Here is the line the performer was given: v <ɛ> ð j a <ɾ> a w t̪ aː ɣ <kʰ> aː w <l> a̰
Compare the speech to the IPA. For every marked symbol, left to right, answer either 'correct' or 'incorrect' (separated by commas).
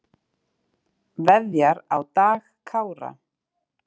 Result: correct, correct, correct, incorrect